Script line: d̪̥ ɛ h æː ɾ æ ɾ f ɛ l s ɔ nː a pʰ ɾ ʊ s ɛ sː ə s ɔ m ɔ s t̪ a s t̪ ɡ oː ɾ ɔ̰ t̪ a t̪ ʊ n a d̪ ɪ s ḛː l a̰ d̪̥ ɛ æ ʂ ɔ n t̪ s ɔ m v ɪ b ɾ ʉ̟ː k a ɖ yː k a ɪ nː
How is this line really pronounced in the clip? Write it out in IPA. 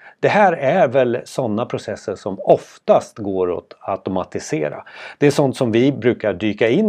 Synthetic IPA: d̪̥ ɛ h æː ɾ æ ɾ v ɛ l s ɔ nː a pʰ ɾ ʊ s ɛ sː ə ʂ ɔ m ɔ f t̪ a s t̪ ɡ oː ɾ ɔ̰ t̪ a t̪ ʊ m a t̪ ɪ s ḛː ɾ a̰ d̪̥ ɛ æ ʂ ɔ n t̪ s ɔ m v ɪ b ɾ ʉ̟ː k a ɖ yː k a ɪ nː